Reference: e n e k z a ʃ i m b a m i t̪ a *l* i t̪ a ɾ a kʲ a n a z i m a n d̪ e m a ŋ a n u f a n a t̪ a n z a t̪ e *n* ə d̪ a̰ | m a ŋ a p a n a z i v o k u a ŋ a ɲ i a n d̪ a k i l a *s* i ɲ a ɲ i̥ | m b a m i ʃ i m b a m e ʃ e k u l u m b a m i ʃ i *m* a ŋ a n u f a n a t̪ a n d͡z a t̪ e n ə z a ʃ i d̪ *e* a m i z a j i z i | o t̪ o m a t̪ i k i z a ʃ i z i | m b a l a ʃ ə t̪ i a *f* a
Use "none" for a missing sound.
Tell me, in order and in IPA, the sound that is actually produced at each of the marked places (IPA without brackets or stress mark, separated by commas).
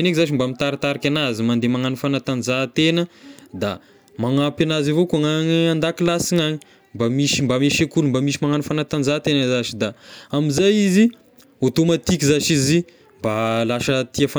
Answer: ɾ, n, s, m, a, f